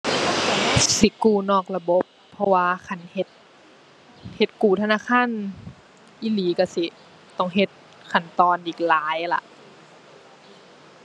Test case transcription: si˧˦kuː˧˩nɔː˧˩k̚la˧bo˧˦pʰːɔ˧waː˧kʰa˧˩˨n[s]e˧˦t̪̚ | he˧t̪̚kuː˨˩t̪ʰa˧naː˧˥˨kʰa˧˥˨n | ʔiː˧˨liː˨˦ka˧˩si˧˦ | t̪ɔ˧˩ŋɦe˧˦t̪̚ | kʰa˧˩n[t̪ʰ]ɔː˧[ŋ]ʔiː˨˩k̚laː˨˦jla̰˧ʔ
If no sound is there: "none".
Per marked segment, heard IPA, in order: h, t̪, n

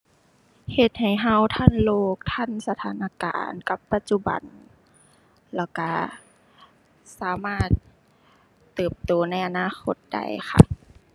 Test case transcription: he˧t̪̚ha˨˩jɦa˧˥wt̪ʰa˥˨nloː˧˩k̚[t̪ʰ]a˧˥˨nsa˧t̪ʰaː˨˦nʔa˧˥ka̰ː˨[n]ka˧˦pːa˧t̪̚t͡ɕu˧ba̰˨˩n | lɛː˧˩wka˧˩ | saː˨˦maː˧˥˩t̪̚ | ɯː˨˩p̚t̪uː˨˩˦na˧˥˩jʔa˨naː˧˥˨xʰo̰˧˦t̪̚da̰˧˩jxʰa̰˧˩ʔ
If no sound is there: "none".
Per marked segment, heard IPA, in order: t̪ʰ, n

